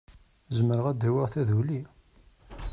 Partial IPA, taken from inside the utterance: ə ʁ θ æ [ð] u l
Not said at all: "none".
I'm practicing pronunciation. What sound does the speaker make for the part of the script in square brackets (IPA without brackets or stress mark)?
ð